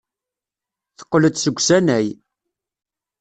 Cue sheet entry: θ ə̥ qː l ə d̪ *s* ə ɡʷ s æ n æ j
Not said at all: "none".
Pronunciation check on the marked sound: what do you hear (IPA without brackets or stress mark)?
s